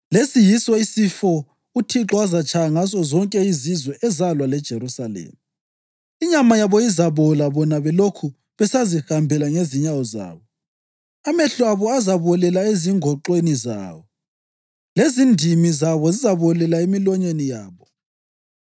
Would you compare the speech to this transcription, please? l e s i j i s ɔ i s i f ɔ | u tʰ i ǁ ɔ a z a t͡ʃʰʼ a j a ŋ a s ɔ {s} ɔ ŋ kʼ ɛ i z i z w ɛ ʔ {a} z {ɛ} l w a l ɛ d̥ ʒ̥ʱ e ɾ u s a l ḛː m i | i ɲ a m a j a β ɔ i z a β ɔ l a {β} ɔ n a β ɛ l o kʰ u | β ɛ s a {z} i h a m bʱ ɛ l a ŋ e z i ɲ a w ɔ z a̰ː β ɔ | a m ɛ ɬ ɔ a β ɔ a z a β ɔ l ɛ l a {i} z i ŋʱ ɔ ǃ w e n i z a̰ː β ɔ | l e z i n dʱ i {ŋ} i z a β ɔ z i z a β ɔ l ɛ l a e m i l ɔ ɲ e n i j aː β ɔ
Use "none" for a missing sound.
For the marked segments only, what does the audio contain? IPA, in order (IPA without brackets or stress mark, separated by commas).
z, ɛ, a, β, z, e, m